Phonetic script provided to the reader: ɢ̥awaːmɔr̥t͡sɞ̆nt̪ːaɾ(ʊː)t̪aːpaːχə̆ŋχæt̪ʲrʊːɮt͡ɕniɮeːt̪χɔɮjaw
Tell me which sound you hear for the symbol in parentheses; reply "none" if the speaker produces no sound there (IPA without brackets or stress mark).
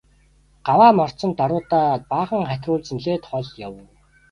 ʊː